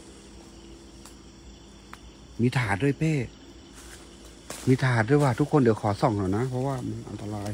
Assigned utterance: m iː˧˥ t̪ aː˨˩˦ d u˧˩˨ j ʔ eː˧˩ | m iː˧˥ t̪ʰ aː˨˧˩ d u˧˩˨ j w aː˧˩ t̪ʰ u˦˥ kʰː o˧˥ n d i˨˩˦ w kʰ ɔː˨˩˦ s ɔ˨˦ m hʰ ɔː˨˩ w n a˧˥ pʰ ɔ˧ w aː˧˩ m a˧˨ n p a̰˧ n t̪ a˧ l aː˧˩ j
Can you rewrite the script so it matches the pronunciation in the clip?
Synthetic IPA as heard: m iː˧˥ t̪ʰ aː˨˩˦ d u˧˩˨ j p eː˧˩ | m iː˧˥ t̪ʰ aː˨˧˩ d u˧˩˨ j w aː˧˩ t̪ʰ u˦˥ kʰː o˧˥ n d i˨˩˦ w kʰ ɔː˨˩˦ s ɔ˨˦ ŋ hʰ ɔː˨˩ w n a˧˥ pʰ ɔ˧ w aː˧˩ m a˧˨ n ʔ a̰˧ n t̪ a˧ l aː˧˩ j